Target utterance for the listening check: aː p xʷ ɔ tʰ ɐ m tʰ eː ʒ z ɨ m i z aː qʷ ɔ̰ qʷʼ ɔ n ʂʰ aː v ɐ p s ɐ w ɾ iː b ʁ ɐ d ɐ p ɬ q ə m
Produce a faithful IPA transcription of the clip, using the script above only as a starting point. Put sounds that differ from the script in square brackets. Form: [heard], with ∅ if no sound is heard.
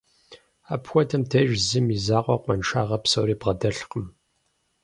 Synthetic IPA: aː p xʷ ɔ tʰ ɐ m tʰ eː ʒ z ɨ m i z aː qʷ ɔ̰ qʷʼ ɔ n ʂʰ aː [ʁ] ɐ p s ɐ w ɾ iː b ʁ ɐ d ɐ [∅] ɬ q ə m